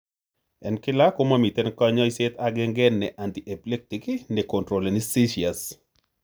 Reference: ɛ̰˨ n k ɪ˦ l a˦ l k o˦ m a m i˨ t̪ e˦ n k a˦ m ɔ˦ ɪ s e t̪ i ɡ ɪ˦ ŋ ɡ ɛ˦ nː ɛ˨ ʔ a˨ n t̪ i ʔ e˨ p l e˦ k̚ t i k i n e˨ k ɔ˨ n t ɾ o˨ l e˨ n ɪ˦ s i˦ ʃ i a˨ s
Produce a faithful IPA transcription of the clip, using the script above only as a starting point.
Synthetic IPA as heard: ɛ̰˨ n k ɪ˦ l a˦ k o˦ m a m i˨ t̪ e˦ n k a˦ ɲ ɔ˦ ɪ s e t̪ a ɡ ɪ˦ ŋ ɡ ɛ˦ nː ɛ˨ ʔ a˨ n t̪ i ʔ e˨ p l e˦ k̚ t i k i n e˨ k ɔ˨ n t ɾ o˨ l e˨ n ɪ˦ s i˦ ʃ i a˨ s